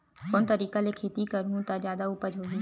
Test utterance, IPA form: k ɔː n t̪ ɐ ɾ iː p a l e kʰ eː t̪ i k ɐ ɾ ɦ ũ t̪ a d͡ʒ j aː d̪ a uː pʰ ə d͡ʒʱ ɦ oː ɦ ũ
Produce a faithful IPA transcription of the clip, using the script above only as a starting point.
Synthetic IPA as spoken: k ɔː n t̪ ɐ ɾ iː k a l e kʰ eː t̪ i k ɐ ɾ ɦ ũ t̪ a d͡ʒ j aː d̪ a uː p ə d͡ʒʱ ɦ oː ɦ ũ